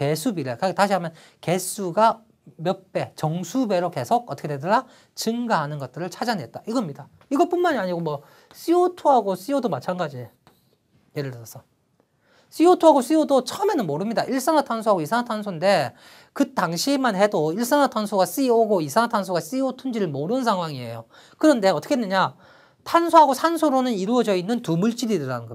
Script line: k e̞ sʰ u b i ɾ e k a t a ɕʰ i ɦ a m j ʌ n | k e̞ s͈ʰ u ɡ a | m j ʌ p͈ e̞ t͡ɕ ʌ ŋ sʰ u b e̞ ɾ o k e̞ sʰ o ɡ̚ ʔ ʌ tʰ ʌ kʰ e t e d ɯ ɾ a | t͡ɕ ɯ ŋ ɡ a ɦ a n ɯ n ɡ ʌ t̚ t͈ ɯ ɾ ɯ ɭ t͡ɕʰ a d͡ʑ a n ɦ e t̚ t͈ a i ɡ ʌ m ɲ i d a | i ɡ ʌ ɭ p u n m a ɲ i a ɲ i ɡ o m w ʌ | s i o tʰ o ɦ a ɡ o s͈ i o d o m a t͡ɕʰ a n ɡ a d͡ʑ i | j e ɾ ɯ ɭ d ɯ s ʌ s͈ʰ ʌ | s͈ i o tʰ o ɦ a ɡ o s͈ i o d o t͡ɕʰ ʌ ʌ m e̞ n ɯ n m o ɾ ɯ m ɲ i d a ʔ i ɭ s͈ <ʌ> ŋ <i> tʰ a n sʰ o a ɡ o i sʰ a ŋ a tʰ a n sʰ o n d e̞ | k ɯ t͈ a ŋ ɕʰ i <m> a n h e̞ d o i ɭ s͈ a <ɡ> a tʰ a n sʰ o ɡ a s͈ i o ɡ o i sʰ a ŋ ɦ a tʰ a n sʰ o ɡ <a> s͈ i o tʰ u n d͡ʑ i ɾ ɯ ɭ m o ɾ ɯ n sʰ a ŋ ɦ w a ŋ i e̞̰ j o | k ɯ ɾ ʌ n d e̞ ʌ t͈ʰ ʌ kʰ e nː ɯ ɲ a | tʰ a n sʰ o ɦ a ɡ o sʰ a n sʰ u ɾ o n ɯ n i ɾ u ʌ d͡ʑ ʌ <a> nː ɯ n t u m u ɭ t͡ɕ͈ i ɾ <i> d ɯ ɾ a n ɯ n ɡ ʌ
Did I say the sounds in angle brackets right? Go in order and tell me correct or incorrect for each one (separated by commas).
incorrect, incorrect, correct, incorrect, correct, incorrect, correct